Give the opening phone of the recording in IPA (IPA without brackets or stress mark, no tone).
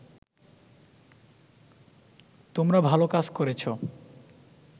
t̪